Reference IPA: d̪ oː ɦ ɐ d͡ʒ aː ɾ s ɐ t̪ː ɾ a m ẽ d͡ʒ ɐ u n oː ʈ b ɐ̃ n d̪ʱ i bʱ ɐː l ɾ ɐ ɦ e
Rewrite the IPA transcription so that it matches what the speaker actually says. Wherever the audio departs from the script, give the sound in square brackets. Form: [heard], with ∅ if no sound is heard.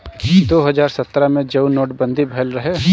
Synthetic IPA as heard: d̪ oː ɦ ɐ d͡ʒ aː ɾ s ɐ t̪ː ɾ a m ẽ d͡ʒ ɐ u n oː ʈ b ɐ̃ n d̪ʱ i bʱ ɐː l ɾ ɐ ɦ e